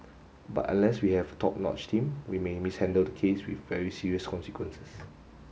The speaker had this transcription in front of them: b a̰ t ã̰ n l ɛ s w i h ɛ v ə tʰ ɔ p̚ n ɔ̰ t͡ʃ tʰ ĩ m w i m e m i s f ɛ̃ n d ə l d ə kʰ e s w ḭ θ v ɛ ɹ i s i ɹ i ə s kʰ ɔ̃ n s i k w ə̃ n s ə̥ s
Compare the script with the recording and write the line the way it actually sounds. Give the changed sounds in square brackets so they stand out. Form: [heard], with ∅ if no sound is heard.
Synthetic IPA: b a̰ t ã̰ n l ɛ s w i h ɛ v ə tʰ ɔ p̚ n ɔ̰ t͡ʃ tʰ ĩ m w i m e m i s [h] ɛ̃ n d ə l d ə kʰ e s w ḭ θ v ɛ ɹ i s i ɹ i ə s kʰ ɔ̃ n s i k w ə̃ n s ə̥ s